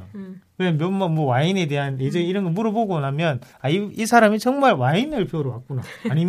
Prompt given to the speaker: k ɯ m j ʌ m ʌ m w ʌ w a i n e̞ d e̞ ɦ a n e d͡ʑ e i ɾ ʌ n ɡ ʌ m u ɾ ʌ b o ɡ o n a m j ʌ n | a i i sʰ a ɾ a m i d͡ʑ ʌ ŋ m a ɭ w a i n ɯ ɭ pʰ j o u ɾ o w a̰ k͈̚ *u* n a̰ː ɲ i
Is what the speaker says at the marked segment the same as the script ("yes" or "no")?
yes